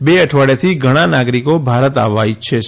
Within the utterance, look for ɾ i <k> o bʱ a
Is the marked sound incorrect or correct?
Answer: correct